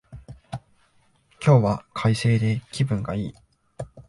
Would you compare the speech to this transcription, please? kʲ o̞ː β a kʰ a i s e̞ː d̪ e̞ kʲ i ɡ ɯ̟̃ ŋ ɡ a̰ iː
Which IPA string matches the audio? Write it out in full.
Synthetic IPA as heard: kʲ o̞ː β a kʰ a i s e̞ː d̪ e̞ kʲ i b ɯ̟̃ ŋ ɡ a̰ iː